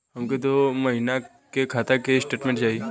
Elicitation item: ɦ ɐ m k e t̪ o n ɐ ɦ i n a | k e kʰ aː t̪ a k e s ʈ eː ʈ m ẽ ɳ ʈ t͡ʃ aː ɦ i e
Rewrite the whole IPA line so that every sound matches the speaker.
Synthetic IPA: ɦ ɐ m k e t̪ o m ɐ ɦ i n a | k e kʰ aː t̪ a k e s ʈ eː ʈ m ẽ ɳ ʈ t͡ʃ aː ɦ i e